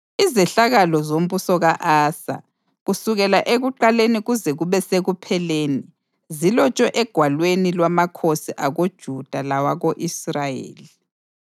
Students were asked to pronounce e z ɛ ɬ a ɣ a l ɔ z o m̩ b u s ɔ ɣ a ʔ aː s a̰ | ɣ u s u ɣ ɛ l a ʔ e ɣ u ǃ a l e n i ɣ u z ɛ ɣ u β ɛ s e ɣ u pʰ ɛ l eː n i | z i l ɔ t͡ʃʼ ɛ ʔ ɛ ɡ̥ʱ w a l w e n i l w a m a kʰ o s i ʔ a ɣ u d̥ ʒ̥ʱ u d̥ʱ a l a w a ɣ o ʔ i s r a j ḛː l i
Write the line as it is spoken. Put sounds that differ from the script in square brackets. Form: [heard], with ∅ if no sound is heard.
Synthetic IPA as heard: [i] z ɛ ɬ a ɣ a l ɔ z o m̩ b u s ɔ ɣ a ʔ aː s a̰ | ɣ u s u ɣ ɛ l a ʔ e ɣ u ǃ a l e n i ɣ u z ɛ ɣ u β ɛ s e ɣ u pʰ ɛ l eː n i | z i l ɔ t͡ʃʼ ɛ ʔ ɛ ɡ̥ʱ w a l w e n i l w a m a kʰ o s i ʔ a ɣ [o] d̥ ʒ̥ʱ u d̥ʱ a l a w a ɣ o ʔ i s r a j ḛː l i